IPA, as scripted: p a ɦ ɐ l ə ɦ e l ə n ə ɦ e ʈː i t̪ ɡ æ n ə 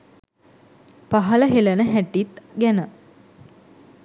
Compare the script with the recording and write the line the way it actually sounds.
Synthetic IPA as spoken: p a ɦ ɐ l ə ɦ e l ə n ə ɦ æ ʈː i t̪ ɡ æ n ə